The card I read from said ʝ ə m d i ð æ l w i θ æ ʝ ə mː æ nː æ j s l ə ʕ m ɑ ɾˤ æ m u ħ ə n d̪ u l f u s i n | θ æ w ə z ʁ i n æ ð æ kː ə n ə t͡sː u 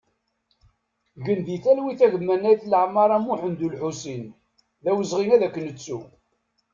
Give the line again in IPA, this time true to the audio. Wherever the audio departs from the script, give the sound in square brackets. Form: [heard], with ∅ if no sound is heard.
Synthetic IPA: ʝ ə [n] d i [θ] æ l w i θ æ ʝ ə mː æ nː æ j [θ] l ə ʕ m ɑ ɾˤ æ m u ħ ə n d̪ u l [ħ] u s i n | [ð] æ w ə z ʁ i n æ ð æ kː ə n ə t͡sː u